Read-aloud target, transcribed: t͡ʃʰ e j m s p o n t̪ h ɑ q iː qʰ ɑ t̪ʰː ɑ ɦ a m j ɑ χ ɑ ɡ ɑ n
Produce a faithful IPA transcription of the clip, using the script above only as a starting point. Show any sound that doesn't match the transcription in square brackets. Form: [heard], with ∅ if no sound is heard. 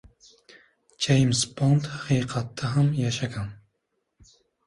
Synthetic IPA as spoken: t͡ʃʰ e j m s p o n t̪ h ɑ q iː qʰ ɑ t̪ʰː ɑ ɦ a m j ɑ [ʃ] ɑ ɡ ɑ n